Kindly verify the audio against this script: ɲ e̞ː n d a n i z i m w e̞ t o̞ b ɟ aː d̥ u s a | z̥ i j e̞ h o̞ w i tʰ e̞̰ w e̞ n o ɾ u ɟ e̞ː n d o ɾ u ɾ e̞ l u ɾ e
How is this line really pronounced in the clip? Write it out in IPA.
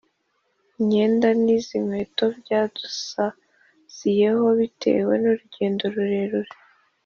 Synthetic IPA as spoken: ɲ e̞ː n d a n i z i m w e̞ t o̞ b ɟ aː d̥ u s a | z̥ i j e̞ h o̞ β i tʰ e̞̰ w e̞ n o ɾ u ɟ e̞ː n d o ɾ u ɾ e̞ ɾ u ɾ e